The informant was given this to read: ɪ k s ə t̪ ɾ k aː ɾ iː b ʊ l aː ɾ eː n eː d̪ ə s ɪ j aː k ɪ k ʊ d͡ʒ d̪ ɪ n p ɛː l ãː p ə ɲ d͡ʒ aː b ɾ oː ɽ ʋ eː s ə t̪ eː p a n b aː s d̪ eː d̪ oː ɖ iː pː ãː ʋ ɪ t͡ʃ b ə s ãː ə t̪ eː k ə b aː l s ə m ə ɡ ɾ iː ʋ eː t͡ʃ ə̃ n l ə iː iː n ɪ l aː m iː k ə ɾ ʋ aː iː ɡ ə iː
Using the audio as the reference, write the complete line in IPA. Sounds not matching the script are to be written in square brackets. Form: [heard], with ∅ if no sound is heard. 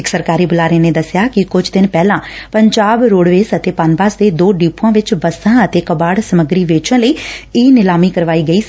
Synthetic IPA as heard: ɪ k s ə [∅] ɾ k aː ɾ iː b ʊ l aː ɾ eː n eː d̪ ə s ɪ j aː k ɪ k ʊ d͡ʒ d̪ ɪ n p ɛː l ãː p ə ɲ d͡ʒ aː b ɾ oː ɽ ʋ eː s ə t̪ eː p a n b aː s d̪ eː d̪ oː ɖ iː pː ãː ʋ ɪ t͡ʃ b ə s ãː ə t̪ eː k ə b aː [ɽ] s ə m ə ɡ ɾ iː ʋ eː t͡ʃ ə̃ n l ə iː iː n ɪ l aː m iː k ə ɾ ʋ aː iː ɡ ə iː